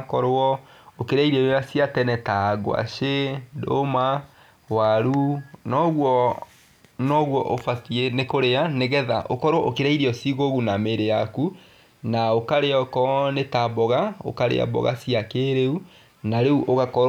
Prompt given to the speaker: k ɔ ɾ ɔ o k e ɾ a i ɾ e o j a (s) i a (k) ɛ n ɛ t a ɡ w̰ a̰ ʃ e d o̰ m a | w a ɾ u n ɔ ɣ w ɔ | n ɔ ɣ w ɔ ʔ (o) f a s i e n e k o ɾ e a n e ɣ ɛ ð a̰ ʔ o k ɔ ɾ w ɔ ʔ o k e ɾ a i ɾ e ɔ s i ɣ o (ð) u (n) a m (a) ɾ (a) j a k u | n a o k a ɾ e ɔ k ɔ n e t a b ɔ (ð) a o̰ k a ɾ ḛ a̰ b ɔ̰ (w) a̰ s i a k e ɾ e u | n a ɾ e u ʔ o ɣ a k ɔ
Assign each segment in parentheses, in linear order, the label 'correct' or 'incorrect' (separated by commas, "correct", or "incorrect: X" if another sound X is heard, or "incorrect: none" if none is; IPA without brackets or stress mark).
correct, incorrect: t, correct, incorrect: ɣ, correct, incorrect: e, incorrect: e, incorrect: ɣ, incorrect: ɣ